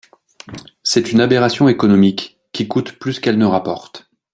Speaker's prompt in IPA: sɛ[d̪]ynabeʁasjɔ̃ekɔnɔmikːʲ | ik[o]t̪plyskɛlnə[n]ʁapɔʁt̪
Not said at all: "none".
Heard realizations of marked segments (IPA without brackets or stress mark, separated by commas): t̪, u, none